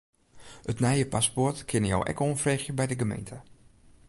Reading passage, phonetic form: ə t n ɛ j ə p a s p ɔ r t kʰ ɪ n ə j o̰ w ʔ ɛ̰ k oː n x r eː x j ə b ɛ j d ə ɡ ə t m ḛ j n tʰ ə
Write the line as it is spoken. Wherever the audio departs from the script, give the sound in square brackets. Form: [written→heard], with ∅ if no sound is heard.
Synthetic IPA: ə t n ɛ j ə p a s p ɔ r t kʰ ɪ n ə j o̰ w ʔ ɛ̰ k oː n [x→f] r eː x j ə b ɛ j d ə ɡ ə [t→∅] m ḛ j n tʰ ə